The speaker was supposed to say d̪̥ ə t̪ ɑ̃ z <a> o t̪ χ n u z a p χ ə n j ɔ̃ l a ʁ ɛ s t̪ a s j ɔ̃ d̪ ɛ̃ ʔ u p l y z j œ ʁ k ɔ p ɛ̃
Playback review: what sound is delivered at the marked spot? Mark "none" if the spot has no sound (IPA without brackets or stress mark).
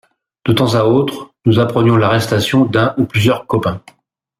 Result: a